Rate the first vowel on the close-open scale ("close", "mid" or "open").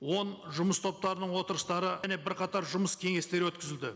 mid